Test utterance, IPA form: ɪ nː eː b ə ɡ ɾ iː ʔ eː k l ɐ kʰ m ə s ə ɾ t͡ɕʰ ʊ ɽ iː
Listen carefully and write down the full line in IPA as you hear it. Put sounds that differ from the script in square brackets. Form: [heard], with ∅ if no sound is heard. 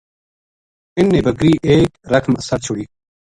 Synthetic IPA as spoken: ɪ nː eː b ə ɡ ɾ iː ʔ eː k [ɾ] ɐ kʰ m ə s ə ɾ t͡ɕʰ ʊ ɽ iː